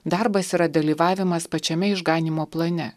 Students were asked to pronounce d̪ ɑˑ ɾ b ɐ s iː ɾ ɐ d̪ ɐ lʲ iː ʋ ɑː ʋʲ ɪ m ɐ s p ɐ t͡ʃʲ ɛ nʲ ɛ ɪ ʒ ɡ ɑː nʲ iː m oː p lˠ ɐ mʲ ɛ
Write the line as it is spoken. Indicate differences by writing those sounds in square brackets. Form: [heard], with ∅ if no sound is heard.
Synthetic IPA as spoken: d̪ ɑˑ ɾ b ɐ s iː ɾ ɐ d̪ ɐ lʲ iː ʋ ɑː ʋʲ ɪ m ɐ s p ɐ t͡ʃʲ ɛ [mʲ] ɛ ɪ ʒ ɡ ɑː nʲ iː m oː p lˠ ɐ [nʲ] ɛ